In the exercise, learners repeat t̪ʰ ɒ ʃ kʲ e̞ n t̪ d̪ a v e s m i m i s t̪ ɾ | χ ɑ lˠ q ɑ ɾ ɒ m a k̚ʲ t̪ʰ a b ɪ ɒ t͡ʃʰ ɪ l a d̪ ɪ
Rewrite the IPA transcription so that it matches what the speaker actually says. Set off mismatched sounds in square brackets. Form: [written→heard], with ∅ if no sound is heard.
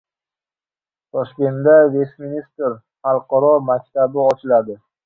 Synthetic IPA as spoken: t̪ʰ ɒ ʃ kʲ e̞ n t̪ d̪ a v e s m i [m→n] i s t̪ ɾ | χ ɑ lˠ q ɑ ɾ ɒ m a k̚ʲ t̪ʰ a b ɪ ɒ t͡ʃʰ ɪ l a d̪ ɪ